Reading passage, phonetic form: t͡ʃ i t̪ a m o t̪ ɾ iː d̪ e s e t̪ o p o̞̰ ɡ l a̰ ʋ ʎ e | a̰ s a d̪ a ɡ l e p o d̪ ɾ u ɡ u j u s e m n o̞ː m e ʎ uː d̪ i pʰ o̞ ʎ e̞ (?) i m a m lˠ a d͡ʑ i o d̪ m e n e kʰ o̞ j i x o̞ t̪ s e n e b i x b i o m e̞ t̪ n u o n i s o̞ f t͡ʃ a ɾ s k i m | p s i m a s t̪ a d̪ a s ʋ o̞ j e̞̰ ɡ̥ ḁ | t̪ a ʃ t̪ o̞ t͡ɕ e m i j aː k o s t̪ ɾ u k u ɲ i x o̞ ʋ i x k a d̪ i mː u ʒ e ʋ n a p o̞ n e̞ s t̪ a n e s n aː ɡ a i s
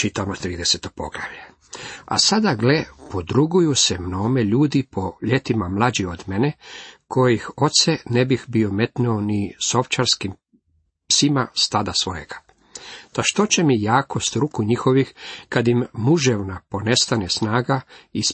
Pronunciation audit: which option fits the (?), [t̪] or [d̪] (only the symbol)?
t̪